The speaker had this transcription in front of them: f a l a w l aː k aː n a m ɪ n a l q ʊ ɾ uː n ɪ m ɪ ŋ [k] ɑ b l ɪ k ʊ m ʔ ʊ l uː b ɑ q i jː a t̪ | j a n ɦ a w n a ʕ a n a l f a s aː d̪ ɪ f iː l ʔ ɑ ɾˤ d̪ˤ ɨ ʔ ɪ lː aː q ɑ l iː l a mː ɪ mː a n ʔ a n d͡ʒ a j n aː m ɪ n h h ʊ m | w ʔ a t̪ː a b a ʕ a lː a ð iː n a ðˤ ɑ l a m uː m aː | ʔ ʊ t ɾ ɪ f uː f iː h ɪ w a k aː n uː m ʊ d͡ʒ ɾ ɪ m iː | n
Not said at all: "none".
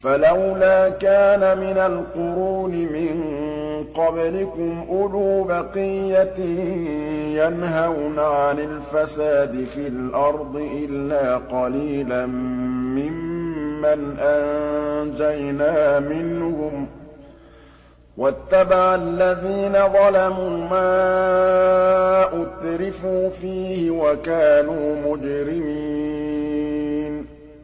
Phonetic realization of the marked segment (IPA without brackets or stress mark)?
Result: q